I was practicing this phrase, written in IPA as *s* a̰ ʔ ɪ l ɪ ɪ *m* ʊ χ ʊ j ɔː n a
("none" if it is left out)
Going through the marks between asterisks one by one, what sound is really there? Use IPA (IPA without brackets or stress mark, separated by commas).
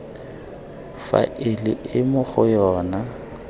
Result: f, m